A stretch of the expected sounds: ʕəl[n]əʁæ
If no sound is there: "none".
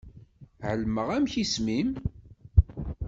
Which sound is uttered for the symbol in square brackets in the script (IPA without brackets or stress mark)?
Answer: m